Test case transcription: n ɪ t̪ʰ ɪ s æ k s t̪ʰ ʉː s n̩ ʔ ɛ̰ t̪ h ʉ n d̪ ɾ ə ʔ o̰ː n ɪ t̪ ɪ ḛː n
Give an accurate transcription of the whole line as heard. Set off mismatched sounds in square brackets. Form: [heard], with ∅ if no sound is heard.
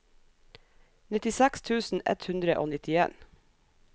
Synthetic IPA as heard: n ɪ [t̪] ɪ s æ k s t̪ʰ ʉː s n̩ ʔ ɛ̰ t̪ h ʉ n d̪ ɾ ə ʔ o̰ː n ɪ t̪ ɪ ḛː n